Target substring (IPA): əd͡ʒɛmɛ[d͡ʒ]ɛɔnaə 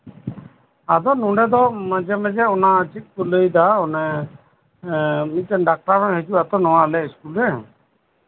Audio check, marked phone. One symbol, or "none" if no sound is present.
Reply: d͡ʒ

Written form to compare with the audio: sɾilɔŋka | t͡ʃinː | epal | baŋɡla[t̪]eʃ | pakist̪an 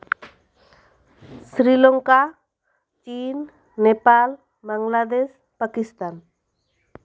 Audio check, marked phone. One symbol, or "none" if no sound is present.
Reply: d̪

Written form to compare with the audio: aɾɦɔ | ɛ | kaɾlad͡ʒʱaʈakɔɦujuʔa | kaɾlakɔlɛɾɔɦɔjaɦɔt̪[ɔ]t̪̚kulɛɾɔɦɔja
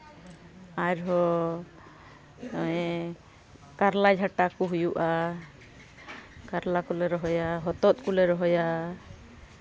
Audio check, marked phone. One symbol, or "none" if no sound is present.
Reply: ɔ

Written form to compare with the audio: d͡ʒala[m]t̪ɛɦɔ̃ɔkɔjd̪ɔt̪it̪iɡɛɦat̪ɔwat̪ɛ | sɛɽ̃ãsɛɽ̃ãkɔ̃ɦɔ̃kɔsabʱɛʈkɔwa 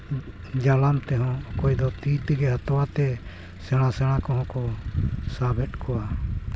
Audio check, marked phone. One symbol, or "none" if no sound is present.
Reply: m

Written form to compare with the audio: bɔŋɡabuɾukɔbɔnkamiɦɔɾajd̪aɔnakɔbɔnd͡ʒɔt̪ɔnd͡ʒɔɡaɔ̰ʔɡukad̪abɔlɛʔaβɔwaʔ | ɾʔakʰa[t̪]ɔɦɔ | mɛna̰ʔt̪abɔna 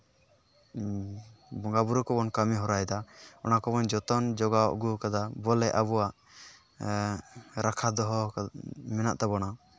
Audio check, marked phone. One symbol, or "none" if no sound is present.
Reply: d̪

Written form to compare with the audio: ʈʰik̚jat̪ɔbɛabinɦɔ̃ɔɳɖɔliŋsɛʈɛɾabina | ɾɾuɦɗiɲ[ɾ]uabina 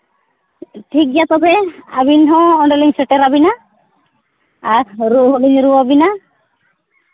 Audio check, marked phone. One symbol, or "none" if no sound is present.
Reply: ɾ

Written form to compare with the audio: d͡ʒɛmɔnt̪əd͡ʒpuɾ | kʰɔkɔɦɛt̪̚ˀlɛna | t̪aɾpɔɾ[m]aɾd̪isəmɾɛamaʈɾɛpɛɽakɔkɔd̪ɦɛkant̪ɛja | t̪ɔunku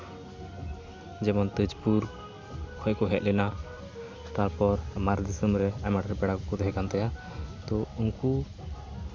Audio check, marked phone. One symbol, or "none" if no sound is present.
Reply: m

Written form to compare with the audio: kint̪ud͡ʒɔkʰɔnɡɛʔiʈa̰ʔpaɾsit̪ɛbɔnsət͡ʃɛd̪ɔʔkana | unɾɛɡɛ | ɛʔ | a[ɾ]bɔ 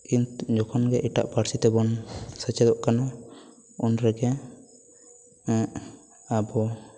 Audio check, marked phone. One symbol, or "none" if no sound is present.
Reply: none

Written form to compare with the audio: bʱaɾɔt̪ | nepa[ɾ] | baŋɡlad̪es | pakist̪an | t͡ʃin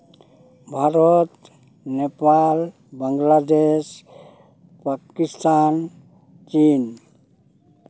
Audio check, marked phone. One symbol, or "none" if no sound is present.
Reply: l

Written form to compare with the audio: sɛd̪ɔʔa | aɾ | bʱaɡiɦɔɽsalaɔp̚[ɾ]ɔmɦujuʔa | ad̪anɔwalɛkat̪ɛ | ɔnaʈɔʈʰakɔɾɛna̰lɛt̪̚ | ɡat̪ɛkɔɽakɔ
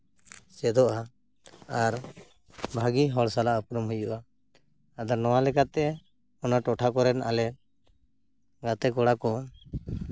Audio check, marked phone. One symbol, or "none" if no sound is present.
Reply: ɾ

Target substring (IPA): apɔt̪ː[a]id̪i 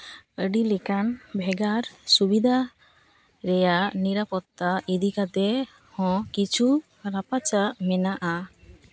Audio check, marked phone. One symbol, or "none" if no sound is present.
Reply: a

